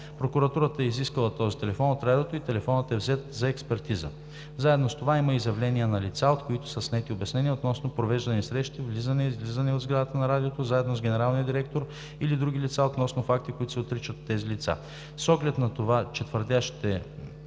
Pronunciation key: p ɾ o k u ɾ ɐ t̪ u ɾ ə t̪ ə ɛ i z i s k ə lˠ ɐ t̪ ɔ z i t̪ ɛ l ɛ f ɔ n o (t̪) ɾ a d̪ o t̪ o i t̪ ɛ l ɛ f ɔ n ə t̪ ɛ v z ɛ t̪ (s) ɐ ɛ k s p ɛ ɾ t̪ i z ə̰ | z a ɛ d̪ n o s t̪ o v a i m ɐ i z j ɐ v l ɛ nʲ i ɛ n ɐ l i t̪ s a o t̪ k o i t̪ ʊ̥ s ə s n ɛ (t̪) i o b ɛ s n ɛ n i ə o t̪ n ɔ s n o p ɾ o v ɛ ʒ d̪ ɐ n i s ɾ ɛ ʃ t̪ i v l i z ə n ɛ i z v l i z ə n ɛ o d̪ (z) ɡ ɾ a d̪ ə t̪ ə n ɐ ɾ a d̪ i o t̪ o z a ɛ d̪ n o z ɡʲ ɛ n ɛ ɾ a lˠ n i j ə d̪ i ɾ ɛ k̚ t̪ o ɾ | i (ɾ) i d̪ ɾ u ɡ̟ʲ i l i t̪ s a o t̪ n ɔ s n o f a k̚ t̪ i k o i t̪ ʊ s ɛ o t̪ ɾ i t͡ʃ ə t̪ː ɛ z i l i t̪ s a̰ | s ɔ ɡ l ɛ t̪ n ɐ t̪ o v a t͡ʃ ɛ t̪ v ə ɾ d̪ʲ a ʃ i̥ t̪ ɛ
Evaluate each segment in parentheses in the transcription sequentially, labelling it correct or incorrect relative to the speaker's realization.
correct, incorrect: z, correct, correct, incorrect: l

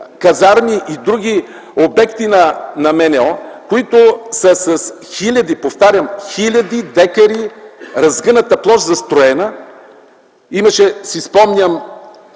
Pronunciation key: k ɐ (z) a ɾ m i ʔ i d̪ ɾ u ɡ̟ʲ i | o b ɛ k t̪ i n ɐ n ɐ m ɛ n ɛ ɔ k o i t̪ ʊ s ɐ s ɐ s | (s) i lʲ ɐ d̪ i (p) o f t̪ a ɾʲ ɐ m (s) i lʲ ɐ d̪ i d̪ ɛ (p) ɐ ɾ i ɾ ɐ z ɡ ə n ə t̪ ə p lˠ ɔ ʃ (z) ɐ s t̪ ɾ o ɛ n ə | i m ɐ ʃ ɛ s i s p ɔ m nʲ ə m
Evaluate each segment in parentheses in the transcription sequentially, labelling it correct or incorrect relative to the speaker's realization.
correct, incorrect: x, correct, incorrect: x, incorrect: k, correct

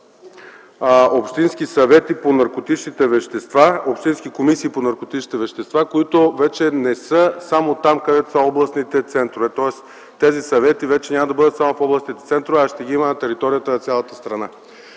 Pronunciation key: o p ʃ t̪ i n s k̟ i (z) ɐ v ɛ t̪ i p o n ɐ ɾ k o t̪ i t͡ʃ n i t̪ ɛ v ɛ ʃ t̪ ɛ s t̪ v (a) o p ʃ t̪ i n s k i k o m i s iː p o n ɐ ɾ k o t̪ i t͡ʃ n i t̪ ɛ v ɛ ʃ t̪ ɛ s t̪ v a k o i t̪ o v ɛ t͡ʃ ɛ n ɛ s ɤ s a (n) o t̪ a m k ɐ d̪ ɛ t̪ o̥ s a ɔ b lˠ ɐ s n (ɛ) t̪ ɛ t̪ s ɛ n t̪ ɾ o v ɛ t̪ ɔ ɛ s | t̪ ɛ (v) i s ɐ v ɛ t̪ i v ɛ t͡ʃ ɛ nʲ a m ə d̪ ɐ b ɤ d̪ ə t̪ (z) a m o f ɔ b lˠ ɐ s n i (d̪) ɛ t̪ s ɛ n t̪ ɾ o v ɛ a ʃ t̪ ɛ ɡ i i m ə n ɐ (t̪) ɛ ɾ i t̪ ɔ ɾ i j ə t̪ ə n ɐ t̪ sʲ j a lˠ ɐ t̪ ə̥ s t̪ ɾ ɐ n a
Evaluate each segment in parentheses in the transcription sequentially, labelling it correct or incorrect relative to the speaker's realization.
incorrect: s, correct, incorrect: m, incorrect: i, incorrect: z, incorrect: s, incorrect: t̪, correct

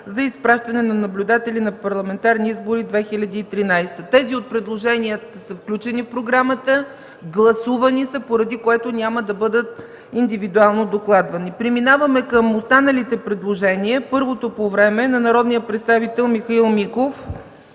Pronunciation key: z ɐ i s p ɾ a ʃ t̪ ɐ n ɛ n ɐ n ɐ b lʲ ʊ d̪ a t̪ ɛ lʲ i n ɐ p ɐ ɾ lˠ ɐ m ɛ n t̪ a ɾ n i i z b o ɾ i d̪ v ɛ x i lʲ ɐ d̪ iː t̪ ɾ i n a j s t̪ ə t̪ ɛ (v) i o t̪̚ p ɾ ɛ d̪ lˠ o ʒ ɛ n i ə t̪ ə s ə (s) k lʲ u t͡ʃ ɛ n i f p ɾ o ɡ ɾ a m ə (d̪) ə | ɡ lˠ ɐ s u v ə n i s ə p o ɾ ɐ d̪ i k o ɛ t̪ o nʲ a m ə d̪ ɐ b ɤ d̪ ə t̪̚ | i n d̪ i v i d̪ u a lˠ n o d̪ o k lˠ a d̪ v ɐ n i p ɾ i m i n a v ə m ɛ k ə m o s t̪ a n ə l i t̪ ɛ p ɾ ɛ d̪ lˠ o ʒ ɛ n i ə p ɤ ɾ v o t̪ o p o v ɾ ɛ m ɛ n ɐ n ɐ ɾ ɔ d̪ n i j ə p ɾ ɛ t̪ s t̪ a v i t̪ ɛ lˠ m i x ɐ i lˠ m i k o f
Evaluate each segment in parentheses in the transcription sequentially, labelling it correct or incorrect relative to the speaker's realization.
incorrect: z, incorrect: f, incorrect: t̪

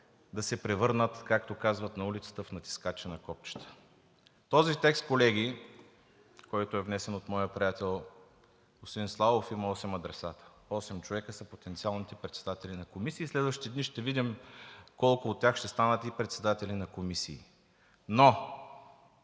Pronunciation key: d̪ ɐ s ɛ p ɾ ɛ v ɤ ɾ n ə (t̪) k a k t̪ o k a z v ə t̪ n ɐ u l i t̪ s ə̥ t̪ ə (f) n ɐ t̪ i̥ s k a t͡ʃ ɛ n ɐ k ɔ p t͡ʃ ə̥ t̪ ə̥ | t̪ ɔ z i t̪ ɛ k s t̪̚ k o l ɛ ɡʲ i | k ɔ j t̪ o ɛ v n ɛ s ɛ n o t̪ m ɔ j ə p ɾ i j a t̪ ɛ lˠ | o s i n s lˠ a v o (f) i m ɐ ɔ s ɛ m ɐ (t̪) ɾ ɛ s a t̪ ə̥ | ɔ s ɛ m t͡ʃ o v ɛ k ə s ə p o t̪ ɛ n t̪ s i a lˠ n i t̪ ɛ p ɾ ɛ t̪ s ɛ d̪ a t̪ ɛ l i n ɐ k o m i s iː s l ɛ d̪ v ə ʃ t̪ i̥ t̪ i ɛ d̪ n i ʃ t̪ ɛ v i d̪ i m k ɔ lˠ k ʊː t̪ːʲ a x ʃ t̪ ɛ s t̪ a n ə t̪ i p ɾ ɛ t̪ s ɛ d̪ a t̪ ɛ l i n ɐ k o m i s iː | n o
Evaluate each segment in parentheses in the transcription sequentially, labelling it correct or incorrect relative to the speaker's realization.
correct, correct, correct, incorrect: d̪

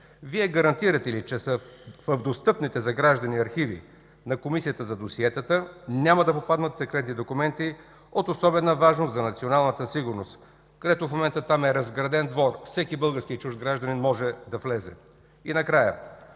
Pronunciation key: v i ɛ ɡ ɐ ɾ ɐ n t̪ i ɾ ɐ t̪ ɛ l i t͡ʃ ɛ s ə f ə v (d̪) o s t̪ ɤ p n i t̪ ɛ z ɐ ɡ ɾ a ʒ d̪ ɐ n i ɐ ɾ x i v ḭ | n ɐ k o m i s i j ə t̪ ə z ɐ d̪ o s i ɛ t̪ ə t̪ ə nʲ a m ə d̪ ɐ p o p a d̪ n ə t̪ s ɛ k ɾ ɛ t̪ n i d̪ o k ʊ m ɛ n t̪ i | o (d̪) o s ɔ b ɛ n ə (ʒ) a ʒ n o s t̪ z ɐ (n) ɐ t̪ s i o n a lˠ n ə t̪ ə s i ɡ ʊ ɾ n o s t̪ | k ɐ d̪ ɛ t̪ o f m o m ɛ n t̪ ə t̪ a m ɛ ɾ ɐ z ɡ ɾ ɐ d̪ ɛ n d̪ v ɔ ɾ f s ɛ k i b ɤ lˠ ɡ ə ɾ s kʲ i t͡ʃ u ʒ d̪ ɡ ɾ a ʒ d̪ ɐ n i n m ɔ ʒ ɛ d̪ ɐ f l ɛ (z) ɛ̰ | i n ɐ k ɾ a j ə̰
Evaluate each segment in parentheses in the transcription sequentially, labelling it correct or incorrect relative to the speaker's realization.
correct, incorrect: t̪, incorrect: v, correct, correct

